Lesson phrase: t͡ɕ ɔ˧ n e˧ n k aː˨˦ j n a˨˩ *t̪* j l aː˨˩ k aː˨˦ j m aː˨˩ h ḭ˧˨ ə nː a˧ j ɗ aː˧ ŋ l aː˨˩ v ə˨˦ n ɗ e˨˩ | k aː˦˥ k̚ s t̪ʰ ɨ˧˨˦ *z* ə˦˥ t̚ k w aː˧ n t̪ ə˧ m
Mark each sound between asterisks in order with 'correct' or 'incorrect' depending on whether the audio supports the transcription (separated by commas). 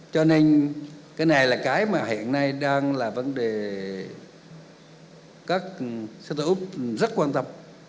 incorrect, correct